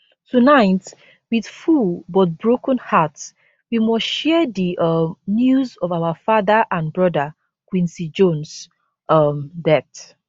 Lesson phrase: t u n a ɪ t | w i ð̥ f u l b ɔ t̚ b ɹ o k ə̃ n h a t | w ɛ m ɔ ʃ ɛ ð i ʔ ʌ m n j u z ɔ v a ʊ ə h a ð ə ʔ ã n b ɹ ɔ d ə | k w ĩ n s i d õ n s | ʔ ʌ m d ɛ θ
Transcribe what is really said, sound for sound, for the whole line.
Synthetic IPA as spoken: t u n a ɪ t | w i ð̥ f u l b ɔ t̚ b ɹ o k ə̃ n h a t | w i m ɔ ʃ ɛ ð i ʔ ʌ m n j u z ɔ v a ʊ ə f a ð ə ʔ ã n b ɹ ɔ d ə | k w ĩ n s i d͡ʒ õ n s | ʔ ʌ m d ɛ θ